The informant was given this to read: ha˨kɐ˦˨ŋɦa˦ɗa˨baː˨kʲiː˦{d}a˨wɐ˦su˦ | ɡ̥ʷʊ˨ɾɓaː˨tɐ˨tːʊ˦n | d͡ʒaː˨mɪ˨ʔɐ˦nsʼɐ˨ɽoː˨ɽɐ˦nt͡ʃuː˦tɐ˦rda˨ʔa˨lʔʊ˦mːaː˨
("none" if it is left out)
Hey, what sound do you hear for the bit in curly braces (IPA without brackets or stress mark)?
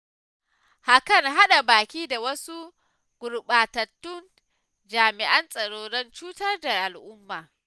d